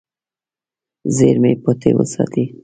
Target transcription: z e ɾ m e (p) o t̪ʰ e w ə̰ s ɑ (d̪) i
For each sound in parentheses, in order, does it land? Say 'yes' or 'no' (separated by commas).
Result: yes, no